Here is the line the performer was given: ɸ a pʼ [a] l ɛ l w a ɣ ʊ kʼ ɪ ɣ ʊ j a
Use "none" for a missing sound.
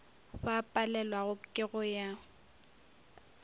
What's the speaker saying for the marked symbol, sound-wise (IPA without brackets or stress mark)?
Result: a